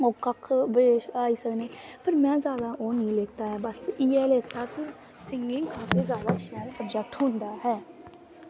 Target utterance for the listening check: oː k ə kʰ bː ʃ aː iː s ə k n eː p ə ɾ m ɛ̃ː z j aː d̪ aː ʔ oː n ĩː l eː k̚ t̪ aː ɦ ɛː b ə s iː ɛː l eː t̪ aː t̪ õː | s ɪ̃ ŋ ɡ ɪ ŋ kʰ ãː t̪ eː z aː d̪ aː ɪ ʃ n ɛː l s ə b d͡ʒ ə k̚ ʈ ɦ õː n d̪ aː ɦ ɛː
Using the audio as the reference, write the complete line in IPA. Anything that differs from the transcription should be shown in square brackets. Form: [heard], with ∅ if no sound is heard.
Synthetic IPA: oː k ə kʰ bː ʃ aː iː s ə k n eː p ə ɾ m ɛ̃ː z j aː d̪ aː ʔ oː n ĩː l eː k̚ t̪ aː ɦ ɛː b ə s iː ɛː l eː t̪ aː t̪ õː | s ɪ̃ ŋ ɡ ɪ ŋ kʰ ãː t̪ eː z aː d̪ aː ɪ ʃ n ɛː l s ə b d͡ʒ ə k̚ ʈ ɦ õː n d̪ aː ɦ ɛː